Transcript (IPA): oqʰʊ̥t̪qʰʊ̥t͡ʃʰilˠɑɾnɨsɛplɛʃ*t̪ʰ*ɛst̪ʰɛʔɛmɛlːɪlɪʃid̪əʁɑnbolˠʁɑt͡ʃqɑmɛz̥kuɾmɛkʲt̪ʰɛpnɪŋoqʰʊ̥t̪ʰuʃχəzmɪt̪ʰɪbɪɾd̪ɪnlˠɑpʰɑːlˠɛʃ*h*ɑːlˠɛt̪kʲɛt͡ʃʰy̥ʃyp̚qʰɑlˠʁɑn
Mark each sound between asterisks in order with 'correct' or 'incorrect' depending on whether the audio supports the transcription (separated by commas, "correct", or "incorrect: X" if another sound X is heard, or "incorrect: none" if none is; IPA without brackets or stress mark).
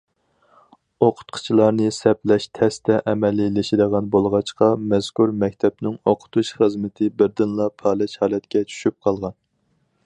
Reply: correct, correct